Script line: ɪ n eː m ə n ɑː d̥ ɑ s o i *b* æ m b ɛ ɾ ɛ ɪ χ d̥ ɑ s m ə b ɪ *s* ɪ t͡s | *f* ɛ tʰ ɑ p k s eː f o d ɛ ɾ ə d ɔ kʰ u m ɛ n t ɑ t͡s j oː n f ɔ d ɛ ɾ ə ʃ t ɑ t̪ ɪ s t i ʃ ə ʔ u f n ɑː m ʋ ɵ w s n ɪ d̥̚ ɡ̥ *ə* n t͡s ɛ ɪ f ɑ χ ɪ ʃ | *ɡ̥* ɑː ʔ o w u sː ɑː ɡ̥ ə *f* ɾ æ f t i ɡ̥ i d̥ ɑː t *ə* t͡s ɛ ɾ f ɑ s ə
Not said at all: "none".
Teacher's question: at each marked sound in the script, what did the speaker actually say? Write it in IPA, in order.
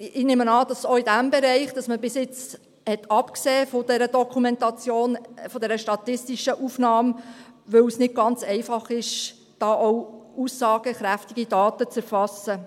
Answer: d, s, h, ɑ, d̥, χ, ə

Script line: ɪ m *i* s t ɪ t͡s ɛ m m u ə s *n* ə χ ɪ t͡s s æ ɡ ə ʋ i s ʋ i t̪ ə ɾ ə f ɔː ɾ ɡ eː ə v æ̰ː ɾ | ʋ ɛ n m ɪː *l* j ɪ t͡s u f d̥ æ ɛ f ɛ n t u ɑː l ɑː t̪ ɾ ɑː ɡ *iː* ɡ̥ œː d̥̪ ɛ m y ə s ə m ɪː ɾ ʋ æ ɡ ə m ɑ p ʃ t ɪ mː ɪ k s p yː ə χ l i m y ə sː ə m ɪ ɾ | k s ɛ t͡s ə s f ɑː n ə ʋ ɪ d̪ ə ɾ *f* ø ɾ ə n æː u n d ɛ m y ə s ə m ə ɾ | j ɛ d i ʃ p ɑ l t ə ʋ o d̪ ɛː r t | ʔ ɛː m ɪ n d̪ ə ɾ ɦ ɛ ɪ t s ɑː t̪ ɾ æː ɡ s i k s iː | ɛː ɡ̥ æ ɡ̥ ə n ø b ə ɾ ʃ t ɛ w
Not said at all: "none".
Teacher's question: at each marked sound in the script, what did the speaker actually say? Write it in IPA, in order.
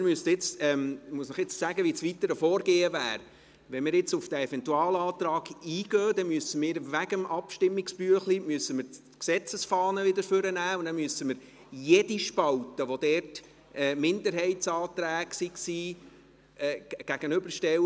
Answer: y, n, ɾ, iː, f

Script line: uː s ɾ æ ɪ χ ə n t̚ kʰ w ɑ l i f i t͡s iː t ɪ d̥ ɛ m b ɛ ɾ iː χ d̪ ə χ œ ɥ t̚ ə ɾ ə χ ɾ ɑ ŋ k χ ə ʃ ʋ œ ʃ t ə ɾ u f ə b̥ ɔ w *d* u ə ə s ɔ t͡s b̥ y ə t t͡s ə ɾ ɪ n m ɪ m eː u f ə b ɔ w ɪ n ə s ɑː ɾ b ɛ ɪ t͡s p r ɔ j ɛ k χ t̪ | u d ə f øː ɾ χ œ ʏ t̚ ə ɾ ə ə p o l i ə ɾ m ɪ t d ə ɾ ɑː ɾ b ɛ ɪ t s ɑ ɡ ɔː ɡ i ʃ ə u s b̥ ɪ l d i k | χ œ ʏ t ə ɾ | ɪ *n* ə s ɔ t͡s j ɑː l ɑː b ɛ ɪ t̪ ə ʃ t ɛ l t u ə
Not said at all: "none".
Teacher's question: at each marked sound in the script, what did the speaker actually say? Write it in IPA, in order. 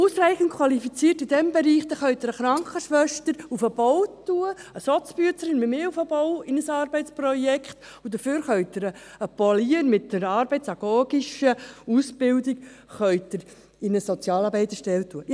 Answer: t, n

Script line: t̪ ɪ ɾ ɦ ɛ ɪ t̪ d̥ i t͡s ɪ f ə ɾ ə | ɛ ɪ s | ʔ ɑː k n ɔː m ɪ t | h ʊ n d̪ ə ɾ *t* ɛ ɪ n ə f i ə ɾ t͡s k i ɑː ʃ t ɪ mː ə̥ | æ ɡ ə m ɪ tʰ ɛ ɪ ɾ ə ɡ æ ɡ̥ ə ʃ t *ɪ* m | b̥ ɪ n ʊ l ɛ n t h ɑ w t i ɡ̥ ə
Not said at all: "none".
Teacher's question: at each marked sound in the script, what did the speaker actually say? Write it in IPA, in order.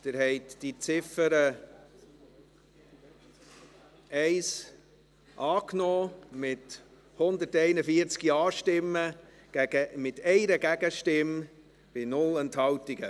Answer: t, ɪ

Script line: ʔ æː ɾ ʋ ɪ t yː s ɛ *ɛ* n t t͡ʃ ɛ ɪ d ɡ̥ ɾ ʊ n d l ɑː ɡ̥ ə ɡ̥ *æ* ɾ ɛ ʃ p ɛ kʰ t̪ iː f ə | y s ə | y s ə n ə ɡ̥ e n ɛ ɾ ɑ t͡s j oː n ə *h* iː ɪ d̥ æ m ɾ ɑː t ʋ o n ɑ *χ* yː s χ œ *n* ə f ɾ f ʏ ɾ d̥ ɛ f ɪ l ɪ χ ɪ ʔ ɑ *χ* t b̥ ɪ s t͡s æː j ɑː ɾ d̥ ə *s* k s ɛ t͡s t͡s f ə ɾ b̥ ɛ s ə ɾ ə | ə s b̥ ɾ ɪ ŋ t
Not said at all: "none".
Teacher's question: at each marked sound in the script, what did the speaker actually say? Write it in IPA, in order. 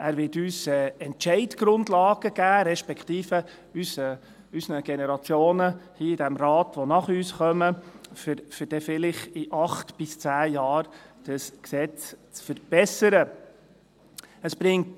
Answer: ɛ, æː, h, χ, m, χ, s

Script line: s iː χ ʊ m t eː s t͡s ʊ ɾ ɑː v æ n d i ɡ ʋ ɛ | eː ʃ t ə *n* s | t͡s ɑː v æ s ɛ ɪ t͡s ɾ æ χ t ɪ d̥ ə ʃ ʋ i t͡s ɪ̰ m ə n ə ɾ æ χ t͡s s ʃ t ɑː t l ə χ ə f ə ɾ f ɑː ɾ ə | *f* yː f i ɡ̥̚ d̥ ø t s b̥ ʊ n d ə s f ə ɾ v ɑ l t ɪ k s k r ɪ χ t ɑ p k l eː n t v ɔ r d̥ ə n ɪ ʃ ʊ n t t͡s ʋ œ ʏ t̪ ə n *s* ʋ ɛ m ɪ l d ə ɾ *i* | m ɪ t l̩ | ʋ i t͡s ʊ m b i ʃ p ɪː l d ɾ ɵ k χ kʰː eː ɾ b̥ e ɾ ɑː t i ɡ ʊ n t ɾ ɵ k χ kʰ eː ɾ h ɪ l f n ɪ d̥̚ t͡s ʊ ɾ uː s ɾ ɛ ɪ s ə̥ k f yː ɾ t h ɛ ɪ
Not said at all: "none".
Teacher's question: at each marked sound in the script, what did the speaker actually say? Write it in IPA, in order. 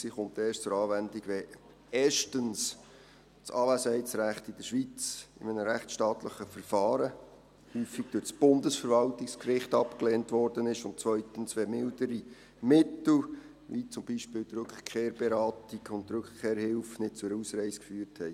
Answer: n, h, s, i

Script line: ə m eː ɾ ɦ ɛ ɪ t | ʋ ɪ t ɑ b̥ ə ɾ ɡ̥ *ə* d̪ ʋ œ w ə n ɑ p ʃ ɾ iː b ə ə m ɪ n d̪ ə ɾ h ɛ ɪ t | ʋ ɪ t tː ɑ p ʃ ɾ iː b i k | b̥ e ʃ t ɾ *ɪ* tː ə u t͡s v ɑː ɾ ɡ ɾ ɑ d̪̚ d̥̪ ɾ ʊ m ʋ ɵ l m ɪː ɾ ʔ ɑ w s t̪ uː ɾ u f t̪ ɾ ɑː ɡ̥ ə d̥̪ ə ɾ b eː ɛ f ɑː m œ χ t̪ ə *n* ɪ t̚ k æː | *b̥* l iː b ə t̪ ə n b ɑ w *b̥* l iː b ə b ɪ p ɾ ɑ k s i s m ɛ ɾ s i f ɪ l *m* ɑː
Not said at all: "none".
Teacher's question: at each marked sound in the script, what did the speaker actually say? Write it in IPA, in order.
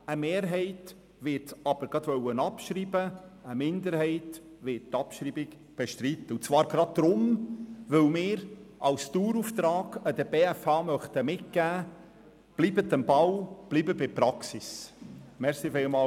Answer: ɑ, i, m, b̥, b̥, m

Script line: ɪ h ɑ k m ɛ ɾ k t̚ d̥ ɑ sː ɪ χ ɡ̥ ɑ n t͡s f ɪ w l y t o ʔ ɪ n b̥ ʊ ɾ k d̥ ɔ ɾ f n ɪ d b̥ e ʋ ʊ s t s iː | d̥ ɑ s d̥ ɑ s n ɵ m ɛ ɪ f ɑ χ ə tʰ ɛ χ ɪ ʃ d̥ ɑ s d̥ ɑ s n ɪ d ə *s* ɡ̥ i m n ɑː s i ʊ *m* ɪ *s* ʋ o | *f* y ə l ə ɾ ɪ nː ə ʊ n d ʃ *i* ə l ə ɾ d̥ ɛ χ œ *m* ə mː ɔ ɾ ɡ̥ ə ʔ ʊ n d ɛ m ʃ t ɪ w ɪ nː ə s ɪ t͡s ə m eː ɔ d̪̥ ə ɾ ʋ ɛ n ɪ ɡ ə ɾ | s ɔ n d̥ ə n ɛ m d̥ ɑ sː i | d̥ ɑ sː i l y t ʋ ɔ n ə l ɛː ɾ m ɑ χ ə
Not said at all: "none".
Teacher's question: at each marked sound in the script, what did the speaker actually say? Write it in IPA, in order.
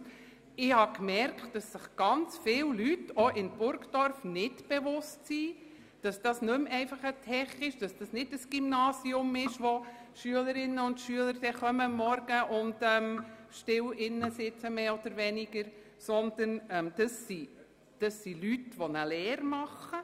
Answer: s, m, ʃ, ʃ, y, m

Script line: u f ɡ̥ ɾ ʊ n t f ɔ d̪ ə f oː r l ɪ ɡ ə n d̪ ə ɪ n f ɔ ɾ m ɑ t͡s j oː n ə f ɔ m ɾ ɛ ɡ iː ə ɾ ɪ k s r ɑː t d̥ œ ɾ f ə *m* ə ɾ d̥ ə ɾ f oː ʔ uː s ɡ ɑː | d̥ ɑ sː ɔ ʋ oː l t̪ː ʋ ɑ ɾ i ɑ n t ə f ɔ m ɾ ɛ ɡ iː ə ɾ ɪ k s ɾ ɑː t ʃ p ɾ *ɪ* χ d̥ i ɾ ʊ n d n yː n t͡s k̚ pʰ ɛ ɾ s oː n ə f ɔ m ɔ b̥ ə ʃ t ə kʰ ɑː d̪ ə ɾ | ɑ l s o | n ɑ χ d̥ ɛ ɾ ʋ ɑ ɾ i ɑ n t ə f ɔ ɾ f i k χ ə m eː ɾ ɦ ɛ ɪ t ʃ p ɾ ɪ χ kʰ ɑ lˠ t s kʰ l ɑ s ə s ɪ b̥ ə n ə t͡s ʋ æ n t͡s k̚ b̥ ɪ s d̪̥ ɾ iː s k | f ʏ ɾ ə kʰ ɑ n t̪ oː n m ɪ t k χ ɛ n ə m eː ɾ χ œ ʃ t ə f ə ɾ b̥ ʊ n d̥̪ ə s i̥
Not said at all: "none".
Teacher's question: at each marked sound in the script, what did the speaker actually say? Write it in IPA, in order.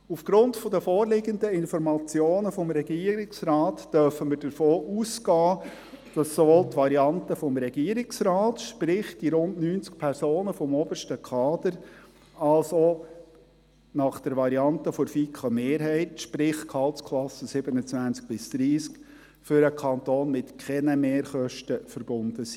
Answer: m, ɪ

